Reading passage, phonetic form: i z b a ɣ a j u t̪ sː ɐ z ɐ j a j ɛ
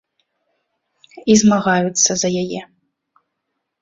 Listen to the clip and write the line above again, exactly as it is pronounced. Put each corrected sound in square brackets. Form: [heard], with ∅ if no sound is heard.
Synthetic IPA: i z [m] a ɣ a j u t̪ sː ɐ z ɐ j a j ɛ